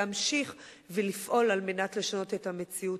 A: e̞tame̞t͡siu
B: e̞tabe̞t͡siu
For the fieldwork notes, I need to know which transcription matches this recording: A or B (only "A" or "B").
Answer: A